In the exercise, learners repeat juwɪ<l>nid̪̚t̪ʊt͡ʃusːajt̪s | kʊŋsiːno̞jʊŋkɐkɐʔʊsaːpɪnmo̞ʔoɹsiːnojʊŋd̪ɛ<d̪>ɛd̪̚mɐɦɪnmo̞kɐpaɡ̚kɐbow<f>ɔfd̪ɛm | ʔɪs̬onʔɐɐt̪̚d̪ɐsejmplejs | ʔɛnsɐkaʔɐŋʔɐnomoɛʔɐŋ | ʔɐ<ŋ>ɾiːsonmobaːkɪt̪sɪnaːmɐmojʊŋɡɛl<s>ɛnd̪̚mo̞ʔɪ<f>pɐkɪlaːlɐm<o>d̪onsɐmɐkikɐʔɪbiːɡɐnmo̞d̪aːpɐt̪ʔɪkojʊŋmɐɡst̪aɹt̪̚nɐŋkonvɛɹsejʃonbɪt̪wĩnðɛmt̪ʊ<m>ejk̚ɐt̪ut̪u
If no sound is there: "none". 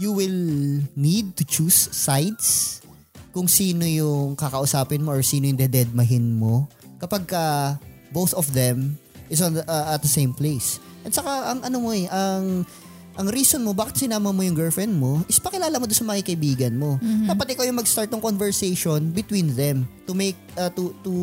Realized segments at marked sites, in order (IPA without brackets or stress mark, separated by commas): l, d̪, θ, ŋ, f, s, o, m